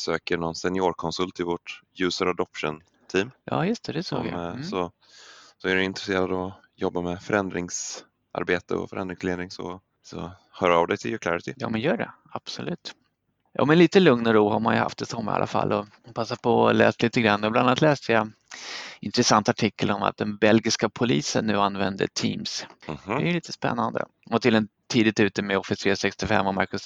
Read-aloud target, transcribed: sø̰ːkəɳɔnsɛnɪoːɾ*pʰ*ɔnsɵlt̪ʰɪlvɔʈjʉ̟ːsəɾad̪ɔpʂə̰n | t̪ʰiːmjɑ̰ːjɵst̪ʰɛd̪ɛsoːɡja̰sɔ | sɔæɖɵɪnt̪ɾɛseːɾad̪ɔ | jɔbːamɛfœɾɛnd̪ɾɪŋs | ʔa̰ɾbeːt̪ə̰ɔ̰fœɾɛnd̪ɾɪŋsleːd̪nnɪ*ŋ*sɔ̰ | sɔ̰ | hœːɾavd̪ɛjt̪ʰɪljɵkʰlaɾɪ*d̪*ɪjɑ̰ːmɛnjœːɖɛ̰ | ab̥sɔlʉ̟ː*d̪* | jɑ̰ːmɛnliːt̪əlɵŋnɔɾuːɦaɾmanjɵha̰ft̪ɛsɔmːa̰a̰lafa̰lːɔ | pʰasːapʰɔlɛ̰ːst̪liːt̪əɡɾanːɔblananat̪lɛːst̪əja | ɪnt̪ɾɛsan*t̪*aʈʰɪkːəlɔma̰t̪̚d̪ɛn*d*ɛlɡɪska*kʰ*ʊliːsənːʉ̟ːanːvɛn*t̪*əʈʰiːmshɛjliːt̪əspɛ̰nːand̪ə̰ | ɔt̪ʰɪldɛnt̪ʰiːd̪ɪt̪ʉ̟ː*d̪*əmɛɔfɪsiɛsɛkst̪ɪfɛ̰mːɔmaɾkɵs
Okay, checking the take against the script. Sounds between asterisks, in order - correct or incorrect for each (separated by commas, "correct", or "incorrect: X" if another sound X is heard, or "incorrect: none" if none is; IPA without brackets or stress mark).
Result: incorrect: kʰ, correct, incorrect: t̪, incorrect: t̪, correct, incorrect: b, incorrect: pʰ, incorrect: d̪, incorrect: t̪